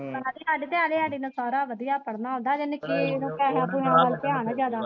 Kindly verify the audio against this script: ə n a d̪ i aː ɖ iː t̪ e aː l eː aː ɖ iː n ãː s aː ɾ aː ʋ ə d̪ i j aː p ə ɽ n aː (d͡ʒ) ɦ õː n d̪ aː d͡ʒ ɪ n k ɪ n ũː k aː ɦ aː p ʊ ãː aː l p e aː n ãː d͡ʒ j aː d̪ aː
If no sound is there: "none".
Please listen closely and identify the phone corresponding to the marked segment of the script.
none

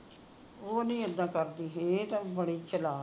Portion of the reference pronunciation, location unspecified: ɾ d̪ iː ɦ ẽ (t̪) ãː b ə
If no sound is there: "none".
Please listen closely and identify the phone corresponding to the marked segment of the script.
t̪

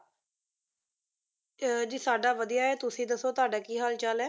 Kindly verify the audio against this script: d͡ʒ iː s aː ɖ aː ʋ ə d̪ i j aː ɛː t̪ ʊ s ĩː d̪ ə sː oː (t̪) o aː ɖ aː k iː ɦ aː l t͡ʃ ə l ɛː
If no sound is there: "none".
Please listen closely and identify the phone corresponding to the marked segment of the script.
t̪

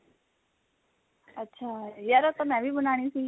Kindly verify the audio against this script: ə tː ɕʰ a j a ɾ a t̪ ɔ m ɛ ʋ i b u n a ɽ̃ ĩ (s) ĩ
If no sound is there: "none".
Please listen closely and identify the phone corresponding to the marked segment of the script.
s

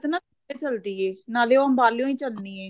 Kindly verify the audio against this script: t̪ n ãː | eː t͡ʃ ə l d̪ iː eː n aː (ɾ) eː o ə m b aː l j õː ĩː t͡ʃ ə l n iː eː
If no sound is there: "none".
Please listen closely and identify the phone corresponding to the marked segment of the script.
l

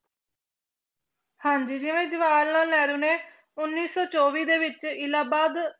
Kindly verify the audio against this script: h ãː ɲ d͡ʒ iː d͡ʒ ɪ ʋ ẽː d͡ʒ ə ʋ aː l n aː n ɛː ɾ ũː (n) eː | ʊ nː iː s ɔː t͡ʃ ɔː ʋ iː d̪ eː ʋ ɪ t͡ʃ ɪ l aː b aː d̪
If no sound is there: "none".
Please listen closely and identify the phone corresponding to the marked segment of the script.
n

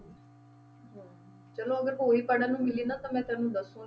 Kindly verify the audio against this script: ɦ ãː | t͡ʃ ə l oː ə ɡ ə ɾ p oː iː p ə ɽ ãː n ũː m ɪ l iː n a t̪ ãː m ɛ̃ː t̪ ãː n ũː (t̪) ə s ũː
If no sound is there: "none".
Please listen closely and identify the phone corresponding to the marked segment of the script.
d̪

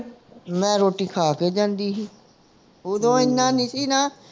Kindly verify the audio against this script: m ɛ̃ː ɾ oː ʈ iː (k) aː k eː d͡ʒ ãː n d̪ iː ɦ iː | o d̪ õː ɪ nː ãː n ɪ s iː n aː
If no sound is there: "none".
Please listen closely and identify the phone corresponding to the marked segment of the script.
kʰ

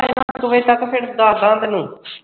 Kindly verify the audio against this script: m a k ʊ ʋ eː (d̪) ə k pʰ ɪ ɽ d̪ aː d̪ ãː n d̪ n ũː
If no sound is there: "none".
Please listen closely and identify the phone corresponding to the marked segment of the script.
t̪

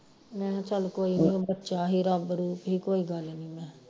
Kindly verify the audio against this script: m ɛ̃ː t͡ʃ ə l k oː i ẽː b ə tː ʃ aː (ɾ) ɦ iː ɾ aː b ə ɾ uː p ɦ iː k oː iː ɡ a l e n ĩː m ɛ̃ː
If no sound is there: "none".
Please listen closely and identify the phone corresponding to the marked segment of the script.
none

